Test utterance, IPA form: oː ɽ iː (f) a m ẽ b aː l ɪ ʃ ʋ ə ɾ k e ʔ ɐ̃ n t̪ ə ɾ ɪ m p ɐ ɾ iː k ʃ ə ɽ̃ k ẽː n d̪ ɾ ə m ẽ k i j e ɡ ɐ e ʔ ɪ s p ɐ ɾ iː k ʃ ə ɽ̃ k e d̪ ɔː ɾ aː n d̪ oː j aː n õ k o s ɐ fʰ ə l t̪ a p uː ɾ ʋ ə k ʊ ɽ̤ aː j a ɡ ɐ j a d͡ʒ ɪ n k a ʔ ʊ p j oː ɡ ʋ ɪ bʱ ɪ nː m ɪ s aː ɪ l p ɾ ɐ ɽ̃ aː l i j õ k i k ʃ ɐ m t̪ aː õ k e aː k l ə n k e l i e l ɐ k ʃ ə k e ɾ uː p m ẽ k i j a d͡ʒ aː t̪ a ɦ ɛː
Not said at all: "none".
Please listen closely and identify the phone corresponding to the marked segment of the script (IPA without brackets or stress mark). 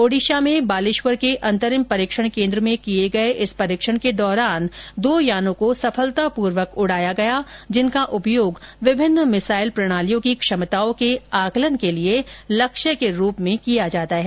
ʃ